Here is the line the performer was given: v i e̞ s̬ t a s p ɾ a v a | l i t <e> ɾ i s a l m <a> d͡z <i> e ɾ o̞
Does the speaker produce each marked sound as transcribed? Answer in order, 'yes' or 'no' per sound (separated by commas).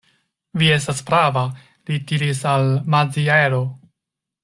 no, yes, yes